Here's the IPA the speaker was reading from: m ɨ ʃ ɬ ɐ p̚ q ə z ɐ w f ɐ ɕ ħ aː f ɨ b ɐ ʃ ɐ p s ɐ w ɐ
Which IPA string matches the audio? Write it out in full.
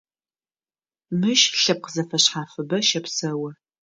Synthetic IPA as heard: m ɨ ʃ ɬ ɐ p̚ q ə z ɐ f ɐ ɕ ħ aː f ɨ b ɐ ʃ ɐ p s ɐ w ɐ

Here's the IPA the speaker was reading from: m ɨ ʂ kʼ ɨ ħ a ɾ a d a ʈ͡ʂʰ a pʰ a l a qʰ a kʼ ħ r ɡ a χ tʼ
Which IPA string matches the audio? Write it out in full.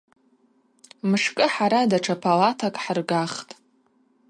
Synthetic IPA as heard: m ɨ ʂ kʼ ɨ ħ a ɾ a d a ʈ͡ʂʰ a pʰ a l a tʰ a kʼ ħ r ɡ a χ tʼ

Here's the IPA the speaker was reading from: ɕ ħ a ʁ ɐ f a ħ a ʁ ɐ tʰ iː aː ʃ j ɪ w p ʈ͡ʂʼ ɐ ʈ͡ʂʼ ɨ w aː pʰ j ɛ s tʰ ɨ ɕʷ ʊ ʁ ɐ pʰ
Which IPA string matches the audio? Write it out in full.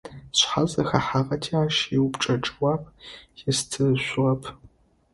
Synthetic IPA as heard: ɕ ħ a z ɐ x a ħ a ʁ ɐ tʰ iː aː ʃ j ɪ w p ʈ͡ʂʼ ɐ ʈ͡ʂʼ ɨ w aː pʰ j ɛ s tʰ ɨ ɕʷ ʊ ʁ ɐ pʰ

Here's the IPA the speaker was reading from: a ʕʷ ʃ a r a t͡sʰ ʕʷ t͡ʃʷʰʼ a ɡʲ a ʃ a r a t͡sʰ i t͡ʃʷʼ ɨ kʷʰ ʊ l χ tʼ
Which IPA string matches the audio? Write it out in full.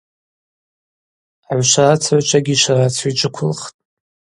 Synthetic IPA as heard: a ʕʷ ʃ a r a t͡sʰ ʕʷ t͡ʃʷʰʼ a ɡʲ i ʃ a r a t͡sʰ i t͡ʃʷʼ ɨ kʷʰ ʊ l χ tʼ

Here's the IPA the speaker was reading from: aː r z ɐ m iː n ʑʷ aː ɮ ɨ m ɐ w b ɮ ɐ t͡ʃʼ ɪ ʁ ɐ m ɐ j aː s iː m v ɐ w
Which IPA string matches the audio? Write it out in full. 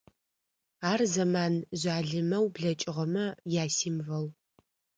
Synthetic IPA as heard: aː r z ɐ m aː n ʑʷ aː ɮ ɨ m ɐ w b ɮ ɐ t͡ʃʼ ɪ ʁ ɐ m ɐ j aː s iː m v ɐ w

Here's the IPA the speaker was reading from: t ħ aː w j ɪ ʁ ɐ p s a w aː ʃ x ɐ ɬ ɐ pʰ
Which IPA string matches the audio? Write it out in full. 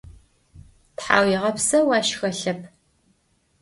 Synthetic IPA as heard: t ħ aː w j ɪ ʁ ɐ p s ɐ w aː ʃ x ɐ ɬ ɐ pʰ

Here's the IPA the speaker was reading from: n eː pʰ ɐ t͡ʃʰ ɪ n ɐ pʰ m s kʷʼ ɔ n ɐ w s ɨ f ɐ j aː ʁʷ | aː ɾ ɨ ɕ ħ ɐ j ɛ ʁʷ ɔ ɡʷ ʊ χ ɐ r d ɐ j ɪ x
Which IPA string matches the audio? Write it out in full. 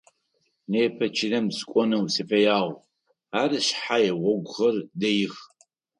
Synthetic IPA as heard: n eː pʰ ɐ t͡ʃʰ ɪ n ɐ m s kʷʼ ɔ n ɐ w s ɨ f ɐ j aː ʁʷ | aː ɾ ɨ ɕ ħ a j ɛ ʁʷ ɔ ɡʷ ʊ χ ɐ r d ɐ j ɪ x

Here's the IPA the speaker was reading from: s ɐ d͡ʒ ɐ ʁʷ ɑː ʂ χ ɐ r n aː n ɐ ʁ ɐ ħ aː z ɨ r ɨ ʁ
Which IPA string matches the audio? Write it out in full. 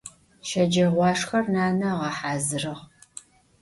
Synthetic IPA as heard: ʃ ɐ d͡ʒ ɐ ʁʷ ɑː ʂ x ɐ r n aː n ɐ ʁ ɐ ħ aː z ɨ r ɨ ʁ

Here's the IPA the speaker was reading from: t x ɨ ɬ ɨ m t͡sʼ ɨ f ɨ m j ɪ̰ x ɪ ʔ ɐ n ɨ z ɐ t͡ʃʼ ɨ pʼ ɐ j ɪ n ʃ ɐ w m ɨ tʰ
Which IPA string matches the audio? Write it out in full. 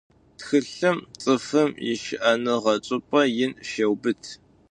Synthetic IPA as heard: t x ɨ ɬ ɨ m t͡sʼ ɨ f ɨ m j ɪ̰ ʃ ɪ ʔ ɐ n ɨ ʁ ɐ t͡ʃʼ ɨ pʼ ɐ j ɪ n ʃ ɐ w b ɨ tʰ

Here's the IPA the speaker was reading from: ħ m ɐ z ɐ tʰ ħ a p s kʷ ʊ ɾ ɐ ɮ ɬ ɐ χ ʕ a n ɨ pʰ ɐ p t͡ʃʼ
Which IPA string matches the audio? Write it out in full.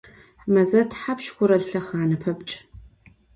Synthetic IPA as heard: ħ m ɐ z ɐ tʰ ħ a p ʃ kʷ ʊ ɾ ɐ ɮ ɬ ɐ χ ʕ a n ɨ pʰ ɐ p t͡ʃʼ

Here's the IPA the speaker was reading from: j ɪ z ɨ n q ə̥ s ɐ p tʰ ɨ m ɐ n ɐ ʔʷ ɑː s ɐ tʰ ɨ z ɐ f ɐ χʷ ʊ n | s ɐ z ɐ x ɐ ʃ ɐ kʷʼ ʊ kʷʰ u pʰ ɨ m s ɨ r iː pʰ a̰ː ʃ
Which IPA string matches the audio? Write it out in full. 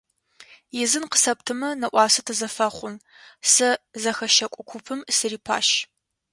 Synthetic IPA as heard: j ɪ z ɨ n q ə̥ s ɐ p tʰ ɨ m ɐ n ɐ ʔʷ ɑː s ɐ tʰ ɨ z ɐ f ɐ χʷ ʊ n | s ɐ z ɐ x ɐ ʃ ɐ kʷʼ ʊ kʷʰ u pʰ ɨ m s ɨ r iː pʰ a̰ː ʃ

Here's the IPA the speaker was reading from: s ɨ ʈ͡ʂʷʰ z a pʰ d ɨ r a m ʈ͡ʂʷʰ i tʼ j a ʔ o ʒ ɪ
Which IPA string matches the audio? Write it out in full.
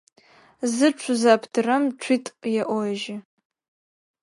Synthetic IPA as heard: z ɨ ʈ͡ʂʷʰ z a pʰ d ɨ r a m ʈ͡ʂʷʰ i tʼ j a ʔ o ʒ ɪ

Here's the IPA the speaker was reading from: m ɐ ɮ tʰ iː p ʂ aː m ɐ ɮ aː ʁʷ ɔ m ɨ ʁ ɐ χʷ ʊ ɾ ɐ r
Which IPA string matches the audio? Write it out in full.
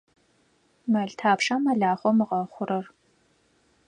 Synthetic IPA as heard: m ɐ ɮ tʰ aː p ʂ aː m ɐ ɮ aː χʷ ɔ m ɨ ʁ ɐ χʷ ʊ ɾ ɐ r

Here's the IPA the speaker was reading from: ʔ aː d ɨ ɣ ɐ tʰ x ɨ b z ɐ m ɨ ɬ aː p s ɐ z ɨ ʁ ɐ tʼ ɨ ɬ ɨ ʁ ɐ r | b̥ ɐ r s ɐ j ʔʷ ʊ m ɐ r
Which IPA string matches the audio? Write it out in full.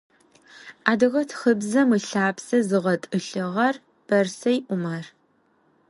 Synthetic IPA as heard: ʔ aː d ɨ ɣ ɐ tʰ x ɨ b z ɐ m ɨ ɬ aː p s ɐ z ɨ ʁ ɐ tʼ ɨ ɬ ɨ ʁ ɐ r | b̥ ɐ r s ɐ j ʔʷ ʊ m ɐ r

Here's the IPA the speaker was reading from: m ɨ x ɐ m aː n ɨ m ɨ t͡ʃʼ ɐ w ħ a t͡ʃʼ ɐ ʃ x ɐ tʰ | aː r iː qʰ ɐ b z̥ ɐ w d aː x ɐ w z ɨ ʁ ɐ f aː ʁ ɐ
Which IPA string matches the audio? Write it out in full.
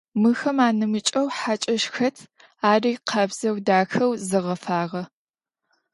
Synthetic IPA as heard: m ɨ x ɐ m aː n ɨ m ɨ t͡ʃʼ ɐ w ħ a t͡ʃʼ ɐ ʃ x ɐ tʰ | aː r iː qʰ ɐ b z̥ ɐ w d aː x ɐ w z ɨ ʁ ɐ f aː ʁ ɐ

